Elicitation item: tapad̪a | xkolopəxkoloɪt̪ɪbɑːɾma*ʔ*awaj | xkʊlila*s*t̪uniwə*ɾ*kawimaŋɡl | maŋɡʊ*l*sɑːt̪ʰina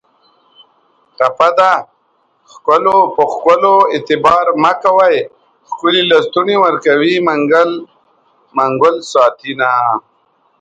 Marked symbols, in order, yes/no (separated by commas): no, yes, yes, yes